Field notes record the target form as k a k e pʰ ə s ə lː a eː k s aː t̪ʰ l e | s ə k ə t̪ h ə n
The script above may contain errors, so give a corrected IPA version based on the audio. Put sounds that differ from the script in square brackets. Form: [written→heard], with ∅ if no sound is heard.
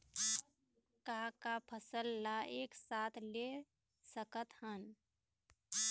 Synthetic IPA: k a k [e→a] pʰ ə s ə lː a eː k s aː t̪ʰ l e | s ə k ə t̪ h ə n